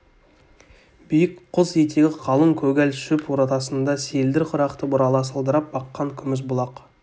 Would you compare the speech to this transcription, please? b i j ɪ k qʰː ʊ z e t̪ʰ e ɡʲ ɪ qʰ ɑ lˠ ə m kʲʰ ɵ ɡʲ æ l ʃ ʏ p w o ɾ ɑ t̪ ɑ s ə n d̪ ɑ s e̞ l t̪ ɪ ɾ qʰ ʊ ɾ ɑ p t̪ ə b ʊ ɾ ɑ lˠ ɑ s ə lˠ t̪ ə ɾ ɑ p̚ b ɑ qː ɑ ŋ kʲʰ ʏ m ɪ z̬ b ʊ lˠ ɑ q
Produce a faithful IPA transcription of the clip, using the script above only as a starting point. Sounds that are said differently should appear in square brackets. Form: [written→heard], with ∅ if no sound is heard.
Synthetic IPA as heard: b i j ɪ k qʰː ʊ z e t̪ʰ e ɡʲ ɪ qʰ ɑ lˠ ə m kʲʰ ɵ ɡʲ æ l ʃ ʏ p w o ɾ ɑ t̪ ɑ s ə n d̪ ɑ s e̞ l [t̪→d̪] ɪ ɾ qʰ ʊ ɾ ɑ [p→q] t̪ ə b ʊ ɾ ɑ lˠ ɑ s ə lˠ [t̪→d̪] ə ɾ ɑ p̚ b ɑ qː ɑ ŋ kʲʰ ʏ m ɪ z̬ b ʊ lˠ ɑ q

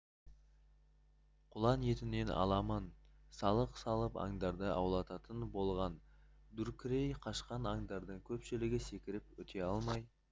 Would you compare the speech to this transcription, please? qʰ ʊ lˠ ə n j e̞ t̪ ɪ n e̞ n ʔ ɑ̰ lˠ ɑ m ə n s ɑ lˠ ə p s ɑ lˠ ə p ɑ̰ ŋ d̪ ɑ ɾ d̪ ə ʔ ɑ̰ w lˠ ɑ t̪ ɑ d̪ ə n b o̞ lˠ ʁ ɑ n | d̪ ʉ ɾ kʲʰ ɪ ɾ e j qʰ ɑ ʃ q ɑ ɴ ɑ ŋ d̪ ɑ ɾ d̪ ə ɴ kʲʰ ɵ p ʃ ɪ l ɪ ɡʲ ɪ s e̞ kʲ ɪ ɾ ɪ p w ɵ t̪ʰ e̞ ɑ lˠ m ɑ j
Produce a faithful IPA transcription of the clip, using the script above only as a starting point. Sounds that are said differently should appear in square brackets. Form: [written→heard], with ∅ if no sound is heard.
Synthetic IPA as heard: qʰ ʊ lˠ [ə→ɑ] n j e̞ t̪ ɪ n e̞ n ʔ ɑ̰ lˠ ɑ m ə n s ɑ lˠ ə [p→q] s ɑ lˠ ə p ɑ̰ ŋ d̪ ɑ ɾ d̪ ə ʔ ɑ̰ w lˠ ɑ t̪ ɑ [d̪→t̪] ə n b o̞ lˠ ʁ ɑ n | d̪ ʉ ɾ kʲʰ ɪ ɾ e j qʰ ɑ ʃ q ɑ [ɴ→n] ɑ ŋ d̪ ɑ ɾ d̪ ə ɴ kʲʰ ɵ p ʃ ɪ l ɪ ɡʲ ɪ s e̞ kʲ ɪ ɾ ɪ p w ɵ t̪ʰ e̞ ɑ lˠ m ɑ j

